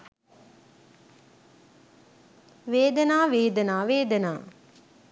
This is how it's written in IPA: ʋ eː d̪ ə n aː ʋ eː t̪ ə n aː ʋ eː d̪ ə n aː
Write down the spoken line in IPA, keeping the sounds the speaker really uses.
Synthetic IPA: ʋ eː d̪ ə n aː ʋ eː d̪ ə n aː ʋ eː d̪ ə n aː